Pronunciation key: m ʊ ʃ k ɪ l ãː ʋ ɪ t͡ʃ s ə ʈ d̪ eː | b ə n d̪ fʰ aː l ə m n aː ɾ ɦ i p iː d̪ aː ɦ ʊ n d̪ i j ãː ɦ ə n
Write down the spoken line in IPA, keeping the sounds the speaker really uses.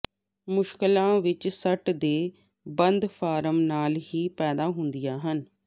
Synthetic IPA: m ʊ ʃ k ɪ l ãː ʋ ɪ t͡ʃ s ə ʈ d̪ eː | b ə n d̪ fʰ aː ɾ ə m n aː l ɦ iː p ɛː d̪ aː ɦ ʊ n d̪ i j aː ɦ ə n